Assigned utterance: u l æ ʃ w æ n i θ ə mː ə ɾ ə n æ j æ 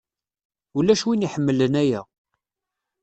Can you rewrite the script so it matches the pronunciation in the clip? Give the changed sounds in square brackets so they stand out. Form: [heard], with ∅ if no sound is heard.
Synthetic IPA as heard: u l æ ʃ w [i] n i [ħ] ə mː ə [l] ə n æ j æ